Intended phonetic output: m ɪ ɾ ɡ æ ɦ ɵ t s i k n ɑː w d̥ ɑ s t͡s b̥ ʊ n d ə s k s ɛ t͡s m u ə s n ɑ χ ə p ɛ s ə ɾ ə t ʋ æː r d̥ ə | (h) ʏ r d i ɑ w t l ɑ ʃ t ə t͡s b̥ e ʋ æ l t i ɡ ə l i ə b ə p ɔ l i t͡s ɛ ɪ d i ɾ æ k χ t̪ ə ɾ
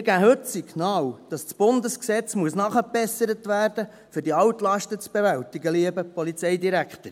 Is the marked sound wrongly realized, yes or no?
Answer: yes